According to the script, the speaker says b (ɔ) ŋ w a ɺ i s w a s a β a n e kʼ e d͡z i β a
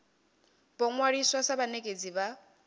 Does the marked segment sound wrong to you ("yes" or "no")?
no